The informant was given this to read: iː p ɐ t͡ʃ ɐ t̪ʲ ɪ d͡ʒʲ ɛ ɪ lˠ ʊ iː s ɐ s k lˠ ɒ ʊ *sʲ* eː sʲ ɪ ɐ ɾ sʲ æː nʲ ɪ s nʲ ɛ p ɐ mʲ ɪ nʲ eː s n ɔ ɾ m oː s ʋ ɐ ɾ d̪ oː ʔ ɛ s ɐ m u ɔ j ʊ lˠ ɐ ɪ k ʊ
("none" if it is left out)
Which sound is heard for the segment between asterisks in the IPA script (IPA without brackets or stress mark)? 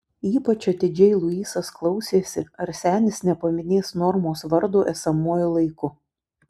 sʲ